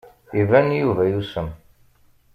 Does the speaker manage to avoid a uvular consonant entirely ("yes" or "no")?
yes